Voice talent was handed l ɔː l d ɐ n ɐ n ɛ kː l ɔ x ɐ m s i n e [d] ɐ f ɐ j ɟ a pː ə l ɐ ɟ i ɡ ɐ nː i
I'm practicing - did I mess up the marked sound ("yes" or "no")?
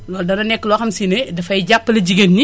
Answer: no